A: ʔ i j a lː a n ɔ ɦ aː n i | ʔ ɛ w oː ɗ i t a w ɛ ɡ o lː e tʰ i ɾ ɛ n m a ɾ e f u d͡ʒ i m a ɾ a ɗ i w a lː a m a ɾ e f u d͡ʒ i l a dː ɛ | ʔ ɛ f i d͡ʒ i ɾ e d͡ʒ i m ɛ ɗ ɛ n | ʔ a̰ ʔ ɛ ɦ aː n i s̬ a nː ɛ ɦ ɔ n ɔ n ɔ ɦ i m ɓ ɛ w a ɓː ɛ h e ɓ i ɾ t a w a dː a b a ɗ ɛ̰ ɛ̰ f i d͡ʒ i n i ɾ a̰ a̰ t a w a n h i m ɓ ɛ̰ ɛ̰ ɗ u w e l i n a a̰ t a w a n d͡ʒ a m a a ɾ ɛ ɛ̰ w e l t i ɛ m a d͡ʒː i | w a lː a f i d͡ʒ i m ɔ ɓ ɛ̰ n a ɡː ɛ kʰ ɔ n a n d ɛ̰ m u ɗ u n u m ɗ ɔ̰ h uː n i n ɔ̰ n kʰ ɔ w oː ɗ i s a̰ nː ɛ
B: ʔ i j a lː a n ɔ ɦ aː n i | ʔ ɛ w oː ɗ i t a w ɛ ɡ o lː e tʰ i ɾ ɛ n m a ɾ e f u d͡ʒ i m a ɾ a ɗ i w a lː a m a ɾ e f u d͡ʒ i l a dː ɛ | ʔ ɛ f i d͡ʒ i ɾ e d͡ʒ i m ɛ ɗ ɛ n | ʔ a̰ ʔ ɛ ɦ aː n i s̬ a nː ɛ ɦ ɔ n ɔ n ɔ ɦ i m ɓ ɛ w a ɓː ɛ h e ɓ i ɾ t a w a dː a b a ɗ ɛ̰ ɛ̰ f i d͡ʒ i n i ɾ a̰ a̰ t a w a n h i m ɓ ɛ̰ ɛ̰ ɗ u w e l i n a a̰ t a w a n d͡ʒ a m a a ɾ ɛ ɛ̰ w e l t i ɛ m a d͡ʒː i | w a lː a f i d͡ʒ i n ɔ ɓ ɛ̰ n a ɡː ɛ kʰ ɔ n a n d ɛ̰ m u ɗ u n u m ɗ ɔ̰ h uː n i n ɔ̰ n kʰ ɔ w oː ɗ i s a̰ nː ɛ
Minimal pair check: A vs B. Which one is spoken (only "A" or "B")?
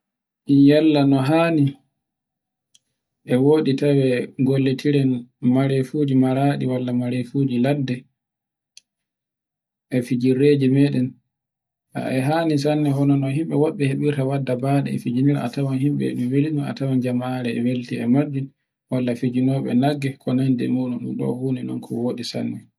B